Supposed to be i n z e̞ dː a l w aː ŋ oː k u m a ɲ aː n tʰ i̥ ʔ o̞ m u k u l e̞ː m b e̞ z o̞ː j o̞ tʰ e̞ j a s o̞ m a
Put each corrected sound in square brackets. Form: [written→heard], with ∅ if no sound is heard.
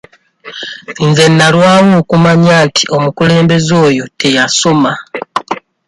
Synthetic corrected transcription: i n z e̞ [dː→nː] a l w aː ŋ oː k u m a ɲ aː n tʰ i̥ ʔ o̞ m u k u l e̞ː m b e̞ z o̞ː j o̞ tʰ e̞ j a s o̞ m a